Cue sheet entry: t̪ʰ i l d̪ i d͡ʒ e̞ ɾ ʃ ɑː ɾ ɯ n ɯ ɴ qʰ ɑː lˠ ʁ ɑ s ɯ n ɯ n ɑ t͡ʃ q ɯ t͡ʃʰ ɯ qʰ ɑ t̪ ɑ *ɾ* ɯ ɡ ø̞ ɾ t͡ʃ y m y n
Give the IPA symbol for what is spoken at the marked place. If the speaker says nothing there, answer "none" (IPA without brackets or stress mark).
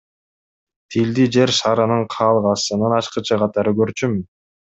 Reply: ɾ